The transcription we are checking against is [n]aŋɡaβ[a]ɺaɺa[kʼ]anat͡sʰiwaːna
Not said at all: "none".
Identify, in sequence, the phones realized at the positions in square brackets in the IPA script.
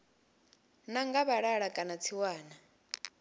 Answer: n, a, kʼ

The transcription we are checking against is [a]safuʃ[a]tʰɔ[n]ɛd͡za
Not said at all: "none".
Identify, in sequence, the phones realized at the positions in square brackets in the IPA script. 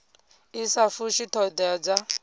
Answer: i, i, d

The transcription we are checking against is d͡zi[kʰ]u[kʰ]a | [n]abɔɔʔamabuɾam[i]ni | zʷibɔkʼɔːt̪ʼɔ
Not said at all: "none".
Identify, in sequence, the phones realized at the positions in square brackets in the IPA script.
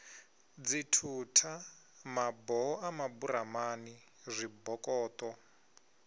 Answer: tʰ, tʰ, m, a

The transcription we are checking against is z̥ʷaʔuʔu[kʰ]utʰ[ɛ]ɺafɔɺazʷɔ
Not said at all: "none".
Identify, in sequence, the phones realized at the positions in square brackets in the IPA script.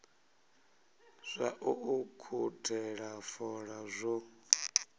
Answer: kʰ, ɛ

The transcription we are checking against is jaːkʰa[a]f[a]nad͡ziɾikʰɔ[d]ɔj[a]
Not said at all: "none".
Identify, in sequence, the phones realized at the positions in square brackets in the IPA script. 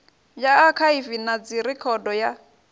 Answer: i, i, d, a

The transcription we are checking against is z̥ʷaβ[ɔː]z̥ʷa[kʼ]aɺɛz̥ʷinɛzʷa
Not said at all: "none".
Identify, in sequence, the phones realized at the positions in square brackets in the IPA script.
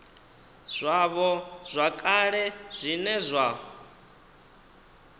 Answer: ɔ, kʼ

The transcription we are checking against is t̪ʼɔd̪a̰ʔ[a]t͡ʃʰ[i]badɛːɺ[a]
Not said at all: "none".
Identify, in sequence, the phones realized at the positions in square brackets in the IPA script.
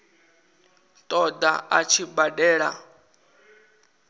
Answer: a, i, a

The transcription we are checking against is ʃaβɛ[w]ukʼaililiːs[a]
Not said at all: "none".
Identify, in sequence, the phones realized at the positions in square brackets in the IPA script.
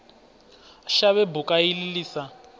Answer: b, a

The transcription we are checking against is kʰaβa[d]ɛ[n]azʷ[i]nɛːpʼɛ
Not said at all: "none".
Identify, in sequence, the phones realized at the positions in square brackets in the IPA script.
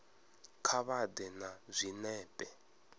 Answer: d, n, i

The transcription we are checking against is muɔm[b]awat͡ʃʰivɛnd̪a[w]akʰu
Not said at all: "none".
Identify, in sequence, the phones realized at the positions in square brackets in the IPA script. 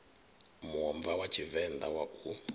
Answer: v, w

